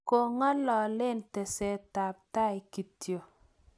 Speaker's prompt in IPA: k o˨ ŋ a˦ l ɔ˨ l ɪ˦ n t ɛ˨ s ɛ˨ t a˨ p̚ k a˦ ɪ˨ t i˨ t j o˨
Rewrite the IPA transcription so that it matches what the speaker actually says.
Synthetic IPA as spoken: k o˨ ŋ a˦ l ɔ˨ l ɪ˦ n t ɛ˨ s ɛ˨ t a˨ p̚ t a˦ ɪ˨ k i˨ t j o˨